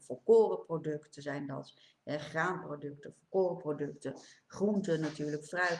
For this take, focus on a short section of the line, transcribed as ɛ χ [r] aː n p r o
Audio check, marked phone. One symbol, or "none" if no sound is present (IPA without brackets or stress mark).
r